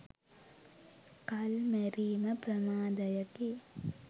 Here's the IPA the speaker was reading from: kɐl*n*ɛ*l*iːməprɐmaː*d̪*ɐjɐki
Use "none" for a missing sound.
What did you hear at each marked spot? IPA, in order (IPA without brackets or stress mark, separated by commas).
m, ɾ, d̪